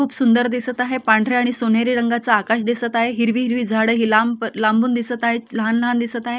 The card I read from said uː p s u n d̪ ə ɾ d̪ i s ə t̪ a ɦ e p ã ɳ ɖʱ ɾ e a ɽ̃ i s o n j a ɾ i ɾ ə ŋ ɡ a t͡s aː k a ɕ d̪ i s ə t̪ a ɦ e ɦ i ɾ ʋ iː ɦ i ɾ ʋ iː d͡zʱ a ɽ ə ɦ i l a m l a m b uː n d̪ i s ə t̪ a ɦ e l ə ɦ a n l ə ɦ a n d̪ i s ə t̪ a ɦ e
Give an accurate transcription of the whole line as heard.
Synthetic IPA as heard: uː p s u n d̪ ə ɾ d̪ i s ə t̪ a ɦ e p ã ɳ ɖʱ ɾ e a ɽ̃ i s o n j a ɾ i ɾ ə ŋ ɡ a t͡s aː k a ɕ d̪ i s ə t̪ a ɦ e ɦ i ɾ ʋ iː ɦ i ɾ ʋ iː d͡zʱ a ɽ ə ɦ i l a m l a m b uː n d̪ i s ə t̪ a ɦ e l ə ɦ a n l ə ɦ a n d̪ i s ə t̪ a ɦ e